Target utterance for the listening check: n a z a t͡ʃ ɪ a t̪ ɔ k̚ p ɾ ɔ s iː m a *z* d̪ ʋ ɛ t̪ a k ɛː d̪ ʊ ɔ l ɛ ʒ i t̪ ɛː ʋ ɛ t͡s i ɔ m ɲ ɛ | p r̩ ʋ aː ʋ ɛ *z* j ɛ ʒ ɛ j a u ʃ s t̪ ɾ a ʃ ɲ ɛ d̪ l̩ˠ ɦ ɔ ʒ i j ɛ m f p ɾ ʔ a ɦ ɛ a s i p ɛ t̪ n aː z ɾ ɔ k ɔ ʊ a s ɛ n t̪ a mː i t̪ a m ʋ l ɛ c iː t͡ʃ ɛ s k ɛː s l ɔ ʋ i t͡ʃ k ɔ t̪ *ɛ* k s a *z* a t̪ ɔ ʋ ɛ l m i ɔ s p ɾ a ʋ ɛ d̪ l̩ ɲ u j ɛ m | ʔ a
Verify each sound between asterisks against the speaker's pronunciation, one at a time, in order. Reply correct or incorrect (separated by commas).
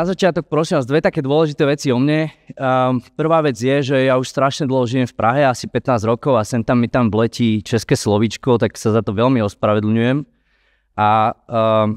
correct, incorrect, incorrect, correct